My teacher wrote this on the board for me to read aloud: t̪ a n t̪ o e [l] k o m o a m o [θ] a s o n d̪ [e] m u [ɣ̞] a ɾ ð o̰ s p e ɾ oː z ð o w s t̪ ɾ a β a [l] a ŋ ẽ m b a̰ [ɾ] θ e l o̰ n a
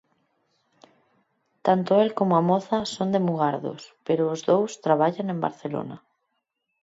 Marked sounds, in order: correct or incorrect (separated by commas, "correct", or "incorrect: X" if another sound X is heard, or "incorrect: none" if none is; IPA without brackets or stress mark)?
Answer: correct, correct, correct, correct, incorrect: ʎ, correct